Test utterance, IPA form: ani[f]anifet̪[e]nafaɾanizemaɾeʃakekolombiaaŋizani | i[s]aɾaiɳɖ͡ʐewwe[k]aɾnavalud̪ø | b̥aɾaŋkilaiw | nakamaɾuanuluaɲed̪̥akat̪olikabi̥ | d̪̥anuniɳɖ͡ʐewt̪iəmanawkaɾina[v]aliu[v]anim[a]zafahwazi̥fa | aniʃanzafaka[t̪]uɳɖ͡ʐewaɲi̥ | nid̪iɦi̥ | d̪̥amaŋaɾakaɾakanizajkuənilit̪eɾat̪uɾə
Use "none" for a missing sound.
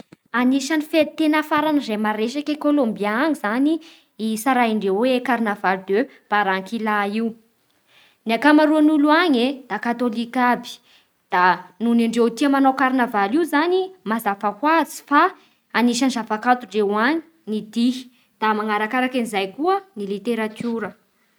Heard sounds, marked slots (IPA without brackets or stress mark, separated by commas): ʃ, e, s, k, v, z, a, t̪